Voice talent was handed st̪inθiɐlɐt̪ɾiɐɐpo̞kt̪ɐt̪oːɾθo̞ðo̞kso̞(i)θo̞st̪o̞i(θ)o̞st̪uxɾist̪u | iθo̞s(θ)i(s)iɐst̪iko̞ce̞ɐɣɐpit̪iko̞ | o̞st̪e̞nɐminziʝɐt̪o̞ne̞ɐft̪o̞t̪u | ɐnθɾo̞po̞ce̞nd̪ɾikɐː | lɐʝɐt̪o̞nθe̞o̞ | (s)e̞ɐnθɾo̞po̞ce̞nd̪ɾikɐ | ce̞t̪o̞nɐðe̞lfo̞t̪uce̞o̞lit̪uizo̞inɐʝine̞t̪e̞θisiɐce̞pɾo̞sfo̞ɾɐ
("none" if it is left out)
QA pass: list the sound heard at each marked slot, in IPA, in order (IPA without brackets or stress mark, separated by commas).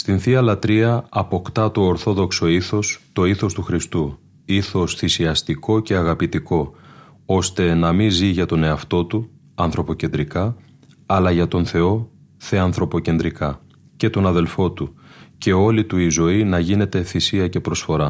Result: i, θ, θ, s, θ